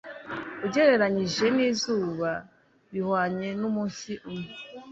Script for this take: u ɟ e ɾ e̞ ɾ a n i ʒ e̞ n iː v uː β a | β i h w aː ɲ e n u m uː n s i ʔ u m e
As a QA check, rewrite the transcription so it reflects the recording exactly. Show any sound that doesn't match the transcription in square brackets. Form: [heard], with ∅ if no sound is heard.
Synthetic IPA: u ɟ e ɾ e̞ ɾ a [ɲ] i ʒ e̞ n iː [z] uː β a | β i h w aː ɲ e n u m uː n s i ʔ u m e